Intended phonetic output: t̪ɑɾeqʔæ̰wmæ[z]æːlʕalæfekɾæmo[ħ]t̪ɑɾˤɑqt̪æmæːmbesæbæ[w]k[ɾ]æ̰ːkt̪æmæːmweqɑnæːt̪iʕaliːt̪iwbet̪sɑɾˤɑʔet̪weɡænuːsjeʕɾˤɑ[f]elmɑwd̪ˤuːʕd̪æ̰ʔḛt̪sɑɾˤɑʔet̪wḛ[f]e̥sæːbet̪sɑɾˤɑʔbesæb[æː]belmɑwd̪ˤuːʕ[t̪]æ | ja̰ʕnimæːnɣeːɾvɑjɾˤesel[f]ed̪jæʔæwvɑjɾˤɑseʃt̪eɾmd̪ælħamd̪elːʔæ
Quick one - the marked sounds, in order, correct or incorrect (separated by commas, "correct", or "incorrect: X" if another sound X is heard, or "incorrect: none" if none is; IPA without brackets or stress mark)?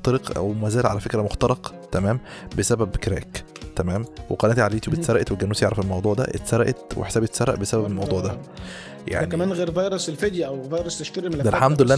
correct, incorrect: x, incorrect: b, correct, correct, incorrect: ħ, incorrect: æ, incorrect: d̪, correct